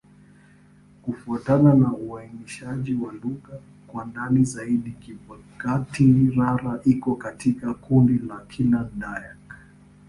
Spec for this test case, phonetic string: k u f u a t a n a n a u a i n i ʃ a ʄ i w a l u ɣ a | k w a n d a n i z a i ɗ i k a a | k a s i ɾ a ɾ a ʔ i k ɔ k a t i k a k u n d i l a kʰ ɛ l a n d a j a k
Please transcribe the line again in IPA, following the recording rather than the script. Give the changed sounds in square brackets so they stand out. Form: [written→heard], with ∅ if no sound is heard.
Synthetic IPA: k u f u a t a n a n a u a i n i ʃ a ʄ i w a l u ɣ a | k w a n d a n i z a i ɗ i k [a→i] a | k a [s→t] i ɾ a ɾ a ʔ i k ɔ k a t i k a k u n d i l a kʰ [ɛ→i] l a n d a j a k